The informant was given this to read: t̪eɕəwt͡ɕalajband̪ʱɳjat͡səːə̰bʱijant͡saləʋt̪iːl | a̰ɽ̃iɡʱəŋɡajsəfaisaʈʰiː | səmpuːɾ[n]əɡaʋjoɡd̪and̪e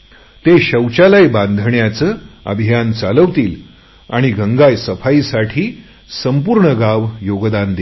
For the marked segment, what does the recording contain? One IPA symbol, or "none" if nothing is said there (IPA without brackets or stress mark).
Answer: ɳ